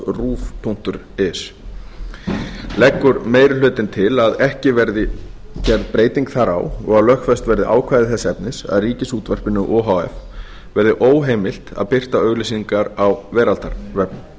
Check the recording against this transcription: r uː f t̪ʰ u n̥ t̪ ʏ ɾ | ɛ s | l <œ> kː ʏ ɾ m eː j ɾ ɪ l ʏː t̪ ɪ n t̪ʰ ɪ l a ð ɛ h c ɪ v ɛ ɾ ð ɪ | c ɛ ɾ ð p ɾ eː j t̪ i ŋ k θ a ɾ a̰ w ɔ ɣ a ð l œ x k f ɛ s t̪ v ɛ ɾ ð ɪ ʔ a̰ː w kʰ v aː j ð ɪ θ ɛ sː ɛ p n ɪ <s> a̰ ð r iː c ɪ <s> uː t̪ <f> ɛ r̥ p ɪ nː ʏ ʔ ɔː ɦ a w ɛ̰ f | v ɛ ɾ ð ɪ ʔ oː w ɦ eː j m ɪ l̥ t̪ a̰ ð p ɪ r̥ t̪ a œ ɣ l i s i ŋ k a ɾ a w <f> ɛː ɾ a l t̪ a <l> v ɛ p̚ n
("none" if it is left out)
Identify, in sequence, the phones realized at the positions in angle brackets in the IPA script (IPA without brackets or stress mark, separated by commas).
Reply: ɛ, s, s, v, v, ɾ